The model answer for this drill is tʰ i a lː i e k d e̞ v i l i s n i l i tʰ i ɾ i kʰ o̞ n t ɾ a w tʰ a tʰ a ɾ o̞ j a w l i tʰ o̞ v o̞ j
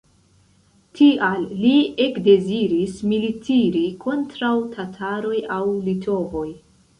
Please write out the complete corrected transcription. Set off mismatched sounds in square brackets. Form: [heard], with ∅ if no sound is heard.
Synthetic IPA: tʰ i a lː i e k d e̞ [z] i [ɾ] i s [m] i l i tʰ i ɾ i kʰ o̞ n t ɾ a w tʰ a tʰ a ɾ o̞ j a w l i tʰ o̞ v o̞ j

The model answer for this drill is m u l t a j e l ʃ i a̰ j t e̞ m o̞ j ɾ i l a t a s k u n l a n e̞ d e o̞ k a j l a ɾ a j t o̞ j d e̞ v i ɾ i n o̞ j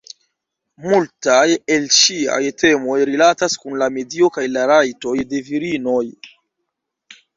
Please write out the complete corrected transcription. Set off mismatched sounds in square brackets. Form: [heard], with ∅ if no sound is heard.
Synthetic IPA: m u l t a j e l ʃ i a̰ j t e̞ m o̞ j ɾ i l a t a s k u n l a [m] e̞ d [i] o̞ k a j l a ɾ a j t o̞ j d e̞ v i ɾ i n o̞ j

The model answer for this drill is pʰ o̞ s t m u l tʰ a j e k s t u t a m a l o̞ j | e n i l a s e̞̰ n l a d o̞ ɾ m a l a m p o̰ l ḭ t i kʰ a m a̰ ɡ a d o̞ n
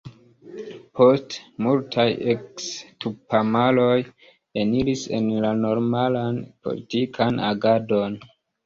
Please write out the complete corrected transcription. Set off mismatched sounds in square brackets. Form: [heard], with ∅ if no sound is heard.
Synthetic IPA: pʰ o̞ s t m u l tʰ a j e k s t u [p] a m a l o̞ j | e n i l [i] s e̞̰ n l a [n] o̞ ɾ m a l a [n] p o̰ l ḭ t i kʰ a [n] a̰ ɡ a d o̞ n

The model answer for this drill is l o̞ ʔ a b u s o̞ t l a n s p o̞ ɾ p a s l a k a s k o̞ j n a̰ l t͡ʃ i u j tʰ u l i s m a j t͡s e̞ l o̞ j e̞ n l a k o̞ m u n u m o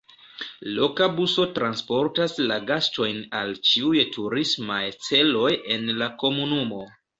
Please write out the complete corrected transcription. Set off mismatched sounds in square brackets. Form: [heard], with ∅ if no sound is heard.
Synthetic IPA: l o̞ [k] a b u s o̞ t [ɾ] a n s p o̞ ɾ [t] a s l a [ɡ] a s [t] o̞ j n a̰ l t͡ʃ i u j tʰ u [ɾ] i s m a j t͡s e̞ l o̞ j e̞ n l a k o̞ m u n u m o

